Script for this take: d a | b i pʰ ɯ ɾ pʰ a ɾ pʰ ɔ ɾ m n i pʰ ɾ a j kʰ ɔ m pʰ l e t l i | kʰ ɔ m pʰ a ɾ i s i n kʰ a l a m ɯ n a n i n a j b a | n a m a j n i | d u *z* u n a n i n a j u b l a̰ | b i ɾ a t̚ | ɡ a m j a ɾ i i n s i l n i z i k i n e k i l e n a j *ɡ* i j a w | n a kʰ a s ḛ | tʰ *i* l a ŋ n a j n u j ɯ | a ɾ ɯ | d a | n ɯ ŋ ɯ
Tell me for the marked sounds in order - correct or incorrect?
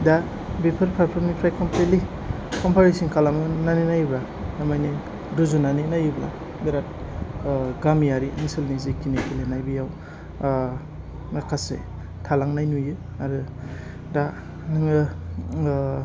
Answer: correct, incorrect: b, incorrect: a

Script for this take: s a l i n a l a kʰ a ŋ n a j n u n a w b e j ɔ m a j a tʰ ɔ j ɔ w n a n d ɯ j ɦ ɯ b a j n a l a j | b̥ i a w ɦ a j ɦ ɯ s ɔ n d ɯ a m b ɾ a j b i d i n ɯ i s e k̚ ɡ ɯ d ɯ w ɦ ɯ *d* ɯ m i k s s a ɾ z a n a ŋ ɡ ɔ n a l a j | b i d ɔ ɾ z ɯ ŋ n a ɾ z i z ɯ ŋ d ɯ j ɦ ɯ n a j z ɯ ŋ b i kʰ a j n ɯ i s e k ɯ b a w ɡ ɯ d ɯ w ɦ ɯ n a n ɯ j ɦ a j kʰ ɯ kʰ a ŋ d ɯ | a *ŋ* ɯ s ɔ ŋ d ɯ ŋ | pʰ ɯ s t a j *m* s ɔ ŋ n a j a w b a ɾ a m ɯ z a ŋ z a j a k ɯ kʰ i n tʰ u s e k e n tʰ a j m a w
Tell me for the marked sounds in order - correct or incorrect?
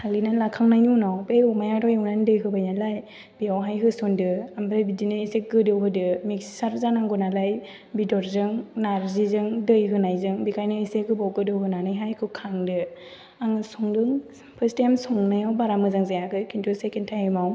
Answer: correct, correct, correct

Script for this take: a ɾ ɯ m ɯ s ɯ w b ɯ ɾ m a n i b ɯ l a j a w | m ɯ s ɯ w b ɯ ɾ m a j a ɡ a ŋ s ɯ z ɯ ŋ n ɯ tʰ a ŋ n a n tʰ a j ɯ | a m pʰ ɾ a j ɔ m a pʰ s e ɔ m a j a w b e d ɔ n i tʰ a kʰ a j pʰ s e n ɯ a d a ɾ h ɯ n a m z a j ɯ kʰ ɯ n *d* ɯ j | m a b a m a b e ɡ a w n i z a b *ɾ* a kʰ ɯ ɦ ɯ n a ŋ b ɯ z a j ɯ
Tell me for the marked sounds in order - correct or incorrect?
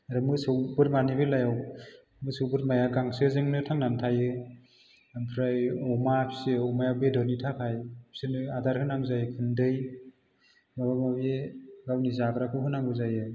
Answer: correct, correct

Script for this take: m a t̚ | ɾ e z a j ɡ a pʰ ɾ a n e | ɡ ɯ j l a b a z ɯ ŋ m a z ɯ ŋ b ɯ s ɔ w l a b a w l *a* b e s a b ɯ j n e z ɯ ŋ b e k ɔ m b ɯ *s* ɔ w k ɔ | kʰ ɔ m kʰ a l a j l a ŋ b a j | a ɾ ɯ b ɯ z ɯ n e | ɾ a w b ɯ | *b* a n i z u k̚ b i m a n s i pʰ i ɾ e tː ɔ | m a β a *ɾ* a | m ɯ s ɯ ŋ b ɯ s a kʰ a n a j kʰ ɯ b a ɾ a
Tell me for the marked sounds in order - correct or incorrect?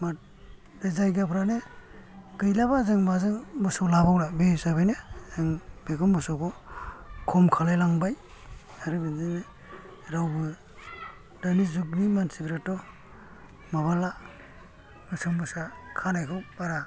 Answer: correct, correct, incorrect: d, incorrect: l

